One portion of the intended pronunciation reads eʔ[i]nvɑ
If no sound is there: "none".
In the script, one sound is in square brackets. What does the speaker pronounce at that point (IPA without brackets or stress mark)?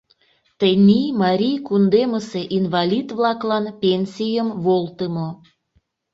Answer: i